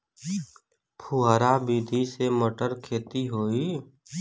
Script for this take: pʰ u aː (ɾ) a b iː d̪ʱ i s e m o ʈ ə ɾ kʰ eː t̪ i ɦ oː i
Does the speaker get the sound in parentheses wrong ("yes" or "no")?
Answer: no